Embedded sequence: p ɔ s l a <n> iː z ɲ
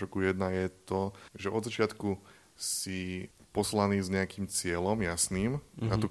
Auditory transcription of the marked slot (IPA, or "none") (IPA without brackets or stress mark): n